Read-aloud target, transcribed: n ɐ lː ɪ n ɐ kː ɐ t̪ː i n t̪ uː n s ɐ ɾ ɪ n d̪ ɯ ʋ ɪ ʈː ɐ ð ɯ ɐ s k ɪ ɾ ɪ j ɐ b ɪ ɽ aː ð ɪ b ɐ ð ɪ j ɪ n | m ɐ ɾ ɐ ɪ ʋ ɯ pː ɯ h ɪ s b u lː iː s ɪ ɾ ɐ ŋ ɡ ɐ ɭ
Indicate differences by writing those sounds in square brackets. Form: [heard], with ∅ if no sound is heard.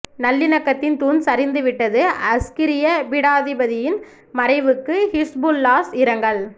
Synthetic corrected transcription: n ɐ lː ɪ n ɐ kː ɐ t̪ː [ɪ] n t̪ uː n s ɐ ɾ ɪ n d̪ ɯ ʋ ɪ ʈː ɐ ð ɯ ɐ s k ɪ ɾ ɪ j ɐ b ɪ ɽ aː ð ɪ b ɐ ð ɪ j ɪ n | m ɐ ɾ ɐ ɪ ʋ ɯ [kː] ɯ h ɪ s b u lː [aː] s ɪ ɾ ɐ ŋ ɡ ɐ ɭ

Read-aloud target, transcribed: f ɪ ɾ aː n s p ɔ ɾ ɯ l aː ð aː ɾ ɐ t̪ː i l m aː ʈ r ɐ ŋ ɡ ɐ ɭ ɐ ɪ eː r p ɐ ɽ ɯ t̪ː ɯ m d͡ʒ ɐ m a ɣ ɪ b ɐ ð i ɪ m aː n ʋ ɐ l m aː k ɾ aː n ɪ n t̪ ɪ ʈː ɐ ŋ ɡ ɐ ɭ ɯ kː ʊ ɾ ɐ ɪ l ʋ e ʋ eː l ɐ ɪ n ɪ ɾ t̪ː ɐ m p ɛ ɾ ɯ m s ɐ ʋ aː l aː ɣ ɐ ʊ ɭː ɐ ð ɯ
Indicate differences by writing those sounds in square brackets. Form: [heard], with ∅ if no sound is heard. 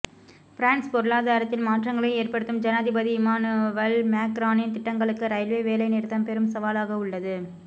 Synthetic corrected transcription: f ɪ ɾ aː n s p ɔ ɾ ɯ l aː ð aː ɾ ɐ t̪ː [ɪ] l m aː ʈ r ɐ ŋ ɡ ɐ ɭ ɐ ɪ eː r p ɐ ɽ ɯ t̪ː ɯ m d͡ʒ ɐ [n] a [ð] ɪ b ɐ ð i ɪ m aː n ʋ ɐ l m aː k ɾ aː n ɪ n t̪ ɪ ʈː ɐ ŋ ɡ ɐ ɭ ɯ kː [ɯ] ɾ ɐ ɪ l ʋ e ʋ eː l ɐ ɪ n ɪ ɾ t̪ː ɐ m p ɛ ɾ ɯ m s ɐ ʋ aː l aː ɣ ɐ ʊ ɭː ɐ ð ɯ

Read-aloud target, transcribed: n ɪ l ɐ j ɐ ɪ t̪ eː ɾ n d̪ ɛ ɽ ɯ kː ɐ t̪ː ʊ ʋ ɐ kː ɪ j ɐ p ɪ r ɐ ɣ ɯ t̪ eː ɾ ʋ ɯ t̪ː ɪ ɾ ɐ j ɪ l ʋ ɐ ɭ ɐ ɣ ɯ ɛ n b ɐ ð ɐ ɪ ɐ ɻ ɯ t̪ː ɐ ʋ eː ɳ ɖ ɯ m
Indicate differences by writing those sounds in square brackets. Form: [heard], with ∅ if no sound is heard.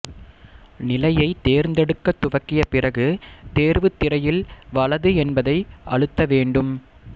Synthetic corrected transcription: n ɪ l ɐ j ɐ ɪ t̪ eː ɾ n d̪ ɛ ɽ ɯ kː ɐ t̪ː ʊ ʋ ɐ kː ɪ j ɐ p ɪ r ɐ ɣ ɯ t̪ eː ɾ ʋ ɯ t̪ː ɪ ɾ ɐ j ɪ l ʋ ɐ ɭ ɐ [ð] ɯ ɛ n b ɐ ð ɐ ɪ ɐ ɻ ɯ t̪ː ɐ ʋ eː ɳ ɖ ɯ m

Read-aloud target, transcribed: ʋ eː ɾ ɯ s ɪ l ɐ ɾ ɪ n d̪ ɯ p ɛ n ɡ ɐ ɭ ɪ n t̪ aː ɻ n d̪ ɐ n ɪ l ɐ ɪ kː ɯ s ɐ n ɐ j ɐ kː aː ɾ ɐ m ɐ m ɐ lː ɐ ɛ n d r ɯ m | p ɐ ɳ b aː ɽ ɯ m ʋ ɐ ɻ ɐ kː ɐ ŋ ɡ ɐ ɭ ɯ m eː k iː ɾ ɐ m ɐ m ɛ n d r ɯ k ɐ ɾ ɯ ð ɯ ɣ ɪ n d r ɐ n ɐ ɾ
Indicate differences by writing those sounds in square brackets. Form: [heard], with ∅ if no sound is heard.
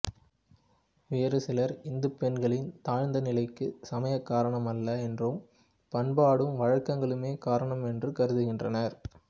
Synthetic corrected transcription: ʋ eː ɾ ɯ s ɪ l ɐ ɾ ɪ n d̪ ɯ p ɛ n ɡ ɐ ɭ ɪ n t̪ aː ɻ n d̪ ɐ n ɪ l ɐ ɪ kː ɯ s ɐ [m] ɐ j ɐ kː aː ɾ ɐ [ɳ] ɐ m ɐ lː ɐ ɛ n d r ɯ m | p ɐ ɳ b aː ɽ ɯ m ʋ ɐ ɻ ɐ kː ɐ ŋ ɡ ɐ ɭ ɯ m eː k [aː] ɾ ɐ [ɳ] ɐ m ɛ n d r ɯ k ɐ ɾ ɯ ð ɯ ɣ ɪ n d r ɐ n ɐ ɾ

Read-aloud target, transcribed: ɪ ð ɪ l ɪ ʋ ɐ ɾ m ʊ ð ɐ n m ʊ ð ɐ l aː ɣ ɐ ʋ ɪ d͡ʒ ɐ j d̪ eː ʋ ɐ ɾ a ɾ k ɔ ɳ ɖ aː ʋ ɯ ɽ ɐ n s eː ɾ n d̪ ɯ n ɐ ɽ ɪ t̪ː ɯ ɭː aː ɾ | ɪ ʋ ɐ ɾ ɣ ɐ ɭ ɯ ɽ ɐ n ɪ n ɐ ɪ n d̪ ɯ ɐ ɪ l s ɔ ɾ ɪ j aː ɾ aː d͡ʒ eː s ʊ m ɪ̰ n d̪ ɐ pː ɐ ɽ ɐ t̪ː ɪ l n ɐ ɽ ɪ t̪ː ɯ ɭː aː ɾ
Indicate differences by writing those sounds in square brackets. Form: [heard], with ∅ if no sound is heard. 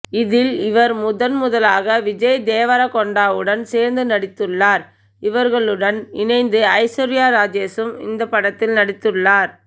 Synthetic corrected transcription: ɪ ð ɪ l ɪ ʋ ɐ ɾ m ʊ ð ɐ n m ʊ ð ɐ l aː ɣ ɐ ʋ ɪ d͡ʒ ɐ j d̪ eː ʋ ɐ ɾ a [∅] k ɔ ɳ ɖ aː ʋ ɯ ɽ ɐ n s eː ɾ n d̪ ɯ n ɐ ɽ ɪ t̪ː ɯ ɭː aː ɾ | ɪ ʋ ɐ ɾ ɣ ɐ ɭ ɯ ɽ ɐ n ɪ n ɐ ɪ n d̪ ɯ ɐ ɪ [∅] s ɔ ɾ ɪ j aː ɾ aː d͡ʒ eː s [ɯ] m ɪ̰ n d̪ ɐ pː ɐ ɽ ɐ t̪ː ɪ l n ɐ ɽ ɪ t̪ː ɯ ɭː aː ɾ

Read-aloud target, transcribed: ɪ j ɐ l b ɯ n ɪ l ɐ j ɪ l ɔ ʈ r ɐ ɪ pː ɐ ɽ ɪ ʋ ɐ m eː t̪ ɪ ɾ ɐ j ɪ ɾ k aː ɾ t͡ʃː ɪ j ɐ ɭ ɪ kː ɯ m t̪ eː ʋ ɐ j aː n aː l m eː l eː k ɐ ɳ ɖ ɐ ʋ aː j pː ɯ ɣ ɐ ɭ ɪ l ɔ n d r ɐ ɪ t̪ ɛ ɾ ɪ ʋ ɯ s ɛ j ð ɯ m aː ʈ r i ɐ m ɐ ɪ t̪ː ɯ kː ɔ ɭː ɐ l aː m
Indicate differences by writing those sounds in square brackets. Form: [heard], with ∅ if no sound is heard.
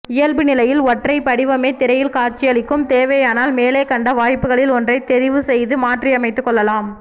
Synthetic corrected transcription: ɪ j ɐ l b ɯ n ɪ l ɐ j ɪ l ɔ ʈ r ɐ ɪ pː ɐ ɽ ɪ ʋ ɐ m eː t̪ ɪ ɾ ɐ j ɪ [l] k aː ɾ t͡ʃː ɪ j ɐ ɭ ɪ kː ɯ m t̪ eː ʋ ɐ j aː n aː l m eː l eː k ɐ ɳ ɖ ɐ ʋ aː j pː ɯ ɣ ɐ ɭ ɪ l ɔ n d r ɐ ɪ t̪ ɛ ɾ ɪ ʋ ɯ s ɛ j ð ɯ m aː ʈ r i ɐ m ɐ ɪ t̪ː ɯ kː ɔ ɭː ɐ l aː m

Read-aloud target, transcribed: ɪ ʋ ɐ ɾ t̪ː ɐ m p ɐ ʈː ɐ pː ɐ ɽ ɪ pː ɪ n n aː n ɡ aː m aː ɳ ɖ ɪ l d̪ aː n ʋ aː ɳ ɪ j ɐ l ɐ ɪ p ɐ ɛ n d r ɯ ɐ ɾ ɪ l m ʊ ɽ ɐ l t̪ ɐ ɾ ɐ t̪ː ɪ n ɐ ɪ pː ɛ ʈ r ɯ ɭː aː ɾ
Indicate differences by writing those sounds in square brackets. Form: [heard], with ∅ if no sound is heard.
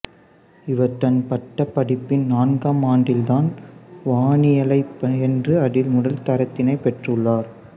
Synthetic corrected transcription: ɪ ʋ ɐ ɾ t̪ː ɐ [n] p ɐ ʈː ɐ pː ɐ ɽ ɪ pː ɪ n n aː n ɡ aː m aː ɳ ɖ ɪ l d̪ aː n ʋ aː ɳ ɪ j ɐ l ɐ ɪ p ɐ ɛ n d r ɯ ɐ [ɽ] ɪ l m ʊ ɽ ɐ l t̪ ɐ ɾ ɐ t̪ː ɪ n ɐ ɪ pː ɛ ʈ r ɯ ɭː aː ɾ

